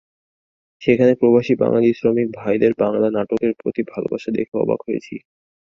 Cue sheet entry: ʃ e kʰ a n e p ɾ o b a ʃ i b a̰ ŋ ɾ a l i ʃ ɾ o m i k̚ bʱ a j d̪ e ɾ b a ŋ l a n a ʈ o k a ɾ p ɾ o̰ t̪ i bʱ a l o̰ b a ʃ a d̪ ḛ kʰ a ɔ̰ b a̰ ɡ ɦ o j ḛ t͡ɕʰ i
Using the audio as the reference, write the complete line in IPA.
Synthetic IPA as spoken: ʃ e kʰ a n e p ɾ o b a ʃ i b a̰ ŋ l a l i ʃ ɾ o m i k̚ bʱ a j d̪ e ɾ b a ŋ l a n a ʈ o k e ɾ p ɾ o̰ t̪ i bʱ a l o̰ b a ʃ a d̪ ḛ kʰ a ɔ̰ b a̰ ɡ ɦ o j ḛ t͡ɕʰ i